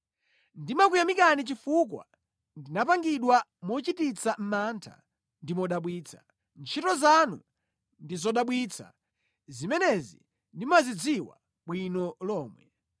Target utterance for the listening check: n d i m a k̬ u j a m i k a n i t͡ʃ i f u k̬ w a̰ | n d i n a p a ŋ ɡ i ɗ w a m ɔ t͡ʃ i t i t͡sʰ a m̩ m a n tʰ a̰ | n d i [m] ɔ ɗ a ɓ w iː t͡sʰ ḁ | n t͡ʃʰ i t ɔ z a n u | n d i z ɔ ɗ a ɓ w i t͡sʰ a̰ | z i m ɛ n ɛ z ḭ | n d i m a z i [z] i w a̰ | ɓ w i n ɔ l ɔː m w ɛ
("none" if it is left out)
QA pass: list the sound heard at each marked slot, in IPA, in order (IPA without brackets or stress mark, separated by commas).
m, d͡z